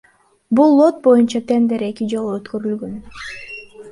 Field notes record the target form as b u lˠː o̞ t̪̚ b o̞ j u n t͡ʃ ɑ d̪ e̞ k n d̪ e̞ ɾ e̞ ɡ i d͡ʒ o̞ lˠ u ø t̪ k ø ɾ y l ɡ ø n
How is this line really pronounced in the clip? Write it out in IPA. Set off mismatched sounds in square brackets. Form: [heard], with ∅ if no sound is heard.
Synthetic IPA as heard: b u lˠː o̞ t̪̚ b o̞ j u n t͡ʃ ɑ [t̪] e̞ [∅] n d̪ e̞ ɾ e̞ [k] i d͡ʒ o̞ lˠ u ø t̪ k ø ɾ y l ɡ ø n